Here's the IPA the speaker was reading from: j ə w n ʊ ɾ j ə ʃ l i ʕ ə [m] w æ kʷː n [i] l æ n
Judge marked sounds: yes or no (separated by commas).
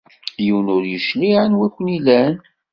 no, yes